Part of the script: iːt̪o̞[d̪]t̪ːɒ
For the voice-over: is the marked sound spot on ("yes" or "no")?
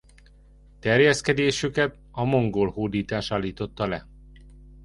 no